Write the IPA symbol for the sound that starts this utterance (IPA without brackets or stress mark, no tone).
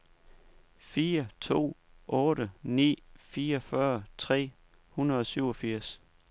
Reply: f